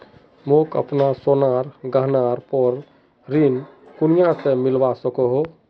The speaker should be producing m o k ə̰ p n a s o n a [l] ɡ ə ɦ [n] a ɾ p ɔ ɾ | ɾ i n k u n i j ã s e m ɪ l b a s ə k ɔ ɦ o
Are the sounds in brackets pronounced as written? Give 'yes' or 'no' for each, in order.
no, yes

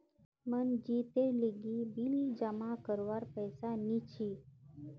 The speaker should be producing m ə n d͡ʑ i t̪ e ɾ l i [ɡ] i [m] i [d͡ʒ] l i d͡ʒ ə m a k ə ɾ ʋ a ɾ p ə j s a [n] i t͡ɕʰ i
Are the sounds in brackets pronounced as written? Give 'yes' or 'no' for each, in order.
yes, no, no, yes

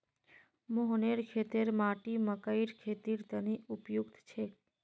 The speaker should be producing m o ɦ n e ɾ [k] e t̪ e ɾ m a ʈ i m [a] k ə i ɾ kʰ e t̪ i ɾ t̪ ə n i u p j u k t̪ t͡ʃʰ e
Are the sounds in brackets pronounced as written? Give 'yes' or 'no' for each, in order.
no, no

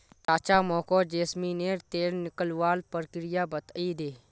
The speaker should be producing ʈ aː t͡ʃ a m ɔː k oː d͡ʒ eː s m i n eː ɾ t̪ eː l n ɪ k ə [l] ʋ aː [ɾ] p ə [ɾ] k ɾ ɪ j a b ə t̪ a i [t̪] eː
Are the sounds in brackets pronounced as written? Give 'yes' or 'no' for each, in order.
yes, no, yes, no

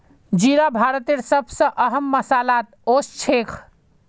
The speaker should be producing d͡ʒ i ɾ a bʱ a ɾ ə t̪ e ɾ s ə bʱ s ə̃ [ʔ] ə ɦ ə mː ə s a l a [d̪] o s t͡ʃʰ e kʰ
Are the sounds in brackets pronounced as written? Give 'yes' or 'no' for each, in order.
yes, no

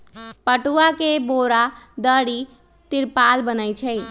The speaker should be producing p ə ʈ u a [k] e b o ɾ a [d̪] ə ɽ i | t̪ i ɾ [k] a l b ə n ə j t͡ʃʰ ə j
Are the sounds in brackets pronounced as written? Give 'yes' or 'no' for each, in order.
yes, yes, no

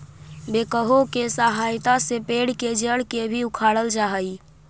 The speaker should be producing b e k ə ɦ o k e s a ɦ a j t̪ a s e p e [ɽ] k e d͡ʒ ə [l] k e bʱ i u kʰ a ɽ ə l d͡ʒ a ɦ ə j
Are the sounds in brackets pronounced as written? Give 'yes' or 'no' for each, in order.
yes, no

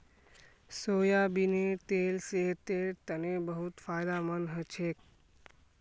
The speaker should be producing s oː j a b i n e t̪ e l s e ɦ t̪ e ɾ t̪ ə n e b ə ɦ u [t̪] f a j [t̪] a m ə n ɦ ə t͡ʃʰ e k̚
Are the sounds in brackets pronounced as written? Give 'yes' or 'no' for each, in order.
yes, no

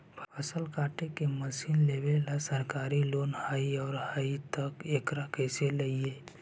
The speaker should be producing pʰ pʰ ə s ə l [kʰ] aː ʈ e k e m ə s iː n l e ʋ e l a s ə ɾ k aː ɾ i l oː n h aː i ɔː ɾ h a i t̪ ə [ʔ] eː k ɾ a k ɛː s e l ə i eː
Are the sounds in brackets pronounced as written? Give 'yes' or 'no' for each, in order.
no, no

